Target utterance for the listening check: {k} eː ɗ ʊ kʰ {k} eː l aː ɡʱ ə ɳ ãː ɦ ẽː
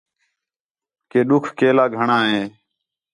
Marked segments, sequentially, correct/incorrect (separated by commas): correct, correct